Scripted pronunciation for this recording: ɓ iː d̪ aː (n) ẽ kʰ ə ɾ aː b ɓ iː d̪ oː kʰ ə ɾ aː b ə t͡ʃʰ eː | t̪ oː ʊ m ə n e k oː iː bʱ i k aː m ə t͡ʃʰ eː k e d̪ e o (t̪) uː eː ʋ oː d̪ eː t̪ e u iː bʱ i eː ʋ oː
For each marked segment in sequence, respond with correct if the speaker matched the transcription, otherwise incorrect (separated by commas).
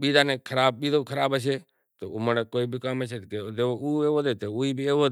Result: correct, incorrect